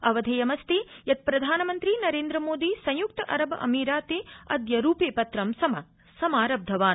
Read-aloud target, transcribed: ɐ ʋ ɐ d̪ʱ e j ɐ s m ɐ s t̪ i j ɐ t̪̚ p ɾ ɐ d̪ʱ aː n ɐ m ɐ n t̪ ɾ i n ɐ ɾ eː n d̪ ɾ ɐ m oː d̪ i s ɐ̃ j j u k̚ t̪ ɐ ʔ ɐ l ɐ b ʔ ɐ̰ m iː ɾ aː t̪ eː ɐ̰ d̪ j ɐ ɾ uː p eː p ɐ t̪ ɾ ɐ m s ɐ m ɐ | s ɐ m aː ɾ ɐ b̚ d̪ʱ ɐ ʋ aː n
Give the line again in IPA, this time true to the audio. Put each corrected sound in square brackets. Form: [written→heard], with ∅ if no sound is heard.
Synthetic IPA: ɐ ʋ ɐ d̪ʱ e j ɐ [s→∅] m ɐ s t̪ i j ɐ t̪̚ p ɾ ɐ d̪ʱ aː n ɐ m ɐ n t̪ ɾ i n ɐ ɾ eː n d̪ ɾ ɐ m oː d̪ i s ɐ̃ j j u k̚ t̪ ɐ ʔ ɐ [l→ɾ] ɐ b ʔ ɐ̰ m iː ɾ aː t̪ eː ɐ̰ d̪ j ɐ ɾ uː p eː p ɐ t̪ ɾ ɐ m s ɐ m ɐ | s ɐ m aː ɾ ɐ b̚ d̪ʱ ɐ ʋ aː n